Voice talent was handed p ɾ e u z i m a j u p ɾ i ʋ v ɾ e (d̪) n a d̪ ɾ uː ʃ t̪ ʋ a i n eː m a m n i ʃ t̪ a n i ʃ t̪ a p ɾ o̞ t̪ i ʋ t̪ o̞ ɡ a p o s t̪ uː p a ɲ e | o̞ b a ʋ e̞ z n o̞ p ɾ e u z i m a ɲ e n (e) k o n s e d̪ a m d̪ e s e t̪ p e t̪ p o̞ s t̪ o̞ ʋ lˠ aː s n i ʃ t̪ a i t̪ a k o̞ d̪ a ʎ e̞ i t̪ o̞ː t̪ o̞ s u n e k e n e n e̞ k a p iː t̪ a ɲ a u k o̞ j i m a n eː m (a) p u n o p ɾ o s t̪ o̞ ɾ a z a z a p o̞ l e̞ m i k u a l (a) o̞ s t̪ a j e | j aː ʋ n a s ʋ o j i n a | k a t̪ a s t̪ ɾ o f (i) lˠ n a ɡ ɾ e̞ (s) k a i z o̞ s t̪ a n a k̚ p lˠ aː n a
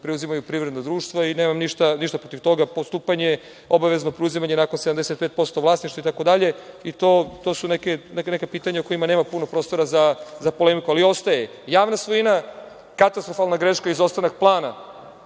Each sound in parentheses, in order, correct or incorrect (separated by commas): correct, incorrect, correct, incorrect, incorrect, incorrect